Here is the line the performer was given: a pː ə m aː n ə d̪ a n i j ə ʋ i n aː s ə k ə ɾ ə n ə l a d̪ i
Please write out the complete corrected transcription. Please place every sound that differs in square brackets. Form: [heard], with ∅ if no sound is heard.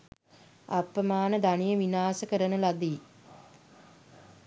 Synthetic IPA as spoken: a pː ə m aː n ə d̪ a n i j ə ʋ i n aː s ə k ə ɾ ə n ə l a d̪ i